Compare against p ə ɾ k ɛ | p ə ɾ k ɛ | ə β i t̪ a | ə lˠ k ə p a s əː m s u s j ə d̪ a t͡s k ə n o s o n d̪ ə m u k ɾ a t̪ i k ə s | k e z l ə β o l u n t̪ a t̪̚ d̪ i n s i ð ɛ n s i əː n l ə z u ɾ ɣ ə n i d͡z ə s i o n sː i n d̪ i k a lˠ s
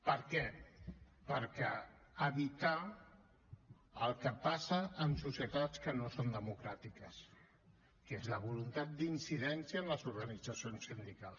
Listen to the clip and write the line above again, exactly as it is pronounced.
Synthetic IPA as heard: p ə ɾ k ɛ | p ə ɾ k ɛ | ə β i t̪ a | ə lˠ k ə p a s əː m s u s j ə t̪ a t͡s k ə n o s o n d̪ ə m u k ɾ a t̪ i k ə s | k e z l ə β u l u n t̪ a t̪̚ d̪ i n s i ð ɛ n s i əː n l ə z u ɾ ɣ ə n i d͡z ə s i o n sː i n d̪ i k a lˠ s

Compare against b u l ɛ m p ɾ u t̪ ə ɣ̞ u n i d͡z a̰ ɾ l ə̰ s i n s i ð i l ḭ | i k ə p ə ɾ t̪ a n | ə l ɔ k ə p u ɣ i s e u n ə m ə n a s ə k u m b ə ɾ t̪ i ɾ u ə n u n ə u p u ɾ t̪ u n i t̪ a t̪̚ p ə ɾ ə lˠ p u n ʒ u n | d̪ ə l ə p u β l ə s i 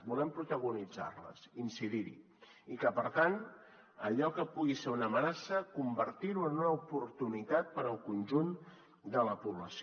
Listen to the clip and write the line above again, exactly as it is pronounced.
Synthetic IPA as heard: b u l ɛ m p ɾ u t̪ ə ɣ̞ u n i d͡z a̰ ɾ l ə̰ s i n s i ð i ɾ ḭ | i k ə p ə ɾ t̪ a n | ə ʎ ɔ k ə p u ɣ i s e u n ə m ə n a s ə k u m b ə ɾ t̪ i ɾ u ə n u n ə u p u ɾ t̪ u n i t̪ a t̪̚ p ə ɾ ə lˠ k u n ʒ u n | d̪ ə l ə p u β l ə s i

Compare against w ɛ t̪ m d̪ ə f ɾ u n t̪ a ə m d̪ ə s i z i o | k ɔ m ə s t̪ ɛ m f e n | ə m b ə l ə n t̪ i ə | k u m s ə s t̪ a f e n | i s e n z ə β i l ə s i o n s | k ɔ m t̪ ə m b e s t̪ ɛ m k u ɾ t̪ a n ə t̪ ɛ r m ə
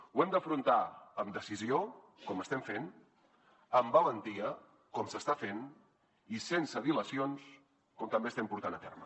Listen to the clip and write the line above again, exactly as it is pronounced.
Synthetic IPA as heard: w ɛ m d̪ ə f ɾ u n t̪ a ə m d̪ ə s i z i o | k ɔ m ə s t̪ ɛ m f e n | ə m b ə l ə n t̪ i ə | k ɔ m s ə s t̪ a f e n | i s e n s ə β i l ə s i o n s | k ɔ m t̪ ə m b e s t̪ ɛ m p u ɾ t̪ a n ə t̪ ɛ r m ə

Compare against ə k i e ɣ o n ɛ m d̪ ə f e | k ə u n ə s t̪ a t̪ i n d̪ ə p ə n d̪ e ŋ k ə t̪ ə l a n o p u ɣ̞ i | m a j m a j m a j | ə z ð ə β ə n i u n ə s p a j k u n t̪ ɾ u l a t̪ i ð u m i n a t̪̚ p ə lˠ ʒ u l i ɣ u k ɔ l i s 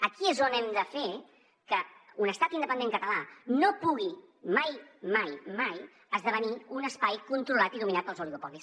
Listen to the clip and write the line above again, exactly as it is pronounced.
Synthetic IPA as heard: ə k i e z o n ɛ m d̪ ə f e | k ə u n ə s t̪ a t̪ i n d̪ ə p ə n d̪ e ŋ k ə t̪ ə l a n o p u ɣ̞ i | m a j m a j m a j | ə z ð ə β ə n i u n ə s p a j k u n t̪ ɾ u l a t̪ i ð u m i n a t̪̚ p ə lˠ z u l i ɣ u p ɔ l i s

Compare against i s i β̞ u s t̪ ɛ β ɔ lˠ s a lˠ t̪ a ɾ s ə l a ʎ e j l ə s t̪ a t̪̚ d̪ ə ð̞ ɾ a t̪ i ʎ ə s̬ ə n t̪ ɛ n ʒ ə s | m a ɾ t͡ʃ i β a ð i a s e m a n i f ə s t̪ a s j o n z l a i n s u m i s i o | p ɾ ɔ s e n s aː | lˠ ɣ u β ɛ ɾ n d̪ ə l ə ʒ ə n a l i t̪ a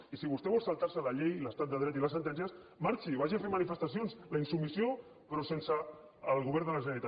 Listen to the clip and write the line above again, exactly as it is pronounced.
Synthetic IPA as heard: i s i β̞ u s t̪ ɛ β ɔ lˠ s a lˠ t̪ a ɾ s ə l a ʎ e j l ə s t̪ a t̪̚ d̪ ə ð̞ ɾ ɛ t̪ i l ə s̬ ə n t̪ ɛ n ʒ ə s | m a ɾ t͡ʃ i β a ʒ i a f e m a n i f ə s t̪ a s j o n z l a i n s u m i s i o | p ɾ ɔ s e n s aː | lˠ ɣ u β ɛ ɾ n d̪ ə l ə ʒ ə n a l i t̪ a

